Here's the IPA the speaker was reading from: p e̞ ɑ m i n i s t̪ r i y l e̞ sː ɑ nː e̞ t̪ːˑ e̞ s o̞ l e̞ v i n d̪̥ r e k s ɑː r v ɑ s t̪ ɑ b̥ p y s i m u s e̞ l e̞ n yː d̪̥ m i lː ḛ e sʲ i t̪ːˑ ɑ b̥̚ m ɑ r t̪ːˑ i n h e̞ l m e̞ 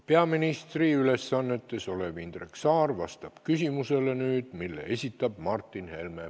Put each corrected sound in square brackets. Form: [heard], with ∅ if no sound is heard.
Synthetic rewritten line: p e̞ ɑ m i n i s t̪ r i y l e̞ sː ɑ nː e̞ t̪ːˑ e̞ s o̞ l e̞ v i n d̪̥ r e k s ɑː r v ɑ s t̪ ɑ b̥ [k] y s i m u s e̞ l e̞ n yː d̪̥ m i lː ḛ e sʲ i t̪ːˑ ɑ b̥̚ m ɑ r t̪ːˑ i n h e̞ l m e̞

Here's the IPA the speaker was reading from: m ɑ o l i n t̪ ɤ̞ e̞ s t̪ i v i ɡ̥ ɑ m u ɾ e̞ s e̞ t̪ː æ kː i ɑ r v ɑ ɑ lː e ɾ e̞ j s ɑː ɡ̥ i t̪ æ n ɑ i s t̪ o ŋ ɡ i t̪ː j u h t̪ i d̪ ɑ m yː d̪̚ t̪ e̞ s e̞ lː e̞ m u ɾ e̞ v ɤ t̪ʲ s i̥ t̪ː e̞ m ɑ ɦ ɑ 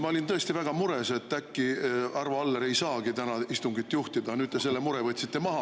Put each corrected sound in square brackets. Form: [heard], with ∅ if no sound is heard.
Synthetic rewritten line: m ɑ o l i n t̪ ɤ̞ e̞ s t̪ i v [æ] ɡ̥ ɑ m u ɾ e̞ s e̞ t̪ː æ kː i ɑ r v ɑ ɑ lː e ɾ e̞ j s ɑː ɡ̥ i t̪ æ n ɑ i s t̪ [u] ŋ ɡ i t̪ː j u h t̪ i d̪ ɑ [n] yː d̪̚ t̪ e̞ s e̞ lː e̞ m u ɾ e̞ v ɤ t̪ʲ s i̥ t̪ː e̞ m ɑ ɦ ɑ

